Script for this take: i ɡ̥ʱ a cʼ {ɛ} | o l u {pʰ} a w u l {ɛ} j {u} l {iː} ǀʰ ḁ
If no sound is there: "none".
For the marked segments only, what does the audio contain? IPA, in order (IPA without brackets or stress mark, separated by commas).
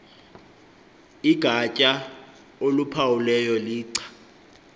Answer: a, pʰ, ɛ, ɔ, iː